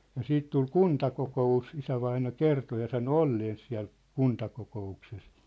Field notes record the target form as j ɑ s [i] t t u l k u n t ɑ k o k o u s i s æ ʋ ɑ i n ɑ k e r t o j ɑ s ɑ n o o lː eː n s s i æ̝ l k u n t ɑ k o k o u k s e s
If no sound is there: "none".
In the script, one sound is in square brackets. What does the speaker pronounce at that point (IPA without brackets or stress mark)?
iː